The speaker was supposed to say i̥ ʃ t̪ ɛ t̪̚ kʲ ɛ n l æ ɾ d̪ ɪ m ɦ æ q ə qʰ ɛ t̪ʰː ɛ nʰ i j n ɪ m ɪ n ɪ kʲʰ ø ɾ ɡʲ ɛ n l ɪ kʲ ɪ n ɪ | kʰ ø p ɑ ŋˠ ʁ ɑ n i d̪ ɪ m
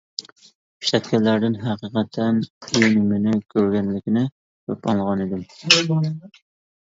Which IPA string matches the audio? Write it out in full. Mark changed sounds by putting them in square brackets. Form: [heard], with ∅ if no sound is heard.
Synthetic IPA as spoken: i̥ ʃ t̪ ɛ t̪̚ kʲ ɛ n l æ ɾ d̪ ɪ [n] ɦ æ q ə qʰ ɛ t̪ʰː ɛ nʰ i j n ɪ m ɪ n ɪ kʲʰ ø ɾ ɡʲ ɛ n l ɪ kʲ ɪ n ɪ | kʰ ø p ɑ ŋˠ ʁ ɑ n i d̪ ɪ m